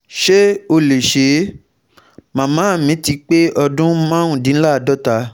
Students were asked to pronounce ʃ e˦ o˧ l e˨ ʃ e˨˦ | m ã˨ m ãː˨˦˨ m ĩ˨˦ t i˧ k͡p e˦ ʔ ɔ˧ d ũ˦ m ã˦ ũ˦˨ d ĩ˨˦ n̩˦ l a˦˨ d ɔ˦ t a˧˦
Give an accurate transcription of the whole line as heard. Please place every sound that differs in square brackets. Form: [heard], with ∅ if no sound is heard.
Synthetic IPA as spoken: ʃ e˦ o˧ l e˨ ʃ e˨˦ | m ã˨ m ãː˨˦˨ m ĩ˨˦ t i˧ k͡p e˦ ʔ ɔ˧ d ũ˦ m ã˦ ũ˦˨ d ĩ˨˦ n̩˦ l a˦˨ d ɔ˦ t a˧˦